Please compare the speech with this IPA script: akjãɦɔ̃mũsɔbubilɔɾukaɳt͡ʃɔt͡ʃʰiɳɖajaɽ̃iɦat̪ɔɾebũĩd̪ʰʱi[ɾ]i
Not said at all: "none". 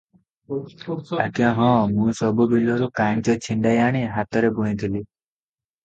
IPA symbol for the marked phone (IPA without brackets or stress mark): l